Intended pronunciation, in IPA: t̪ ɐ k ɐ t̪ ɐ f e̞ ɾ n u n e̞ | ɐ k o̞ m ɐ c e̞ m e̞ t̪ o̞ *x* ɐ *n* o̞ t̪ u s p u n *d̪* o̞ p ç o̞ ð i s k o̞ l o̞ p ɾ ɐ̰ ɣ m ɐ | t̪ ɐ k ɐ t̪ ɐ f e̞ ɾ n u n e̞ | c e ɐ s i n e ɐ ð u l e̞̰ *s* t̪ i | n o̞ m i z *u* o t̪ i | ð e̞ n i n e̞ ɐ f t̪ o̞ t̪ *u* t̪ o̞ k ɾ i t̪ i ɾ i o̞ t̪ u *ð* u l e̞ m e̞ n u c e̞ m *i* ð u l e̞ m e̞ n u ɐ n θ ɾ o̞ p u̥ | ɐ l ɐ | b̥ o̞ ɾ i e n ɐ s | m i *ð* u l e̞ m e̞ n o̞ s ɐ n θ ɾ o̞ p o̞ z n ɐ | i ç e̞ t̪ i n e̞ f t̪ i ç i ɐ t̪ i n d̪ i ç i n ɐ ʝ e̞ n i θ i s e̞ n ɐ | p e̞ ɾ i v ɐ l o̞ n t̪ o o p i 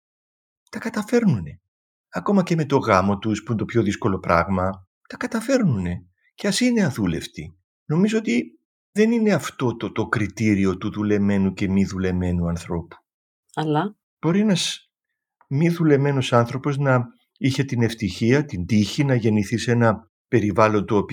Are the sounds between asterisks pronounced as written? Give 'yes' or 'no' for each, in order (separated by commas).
no, no, no, no, no, no, yes, yes, yes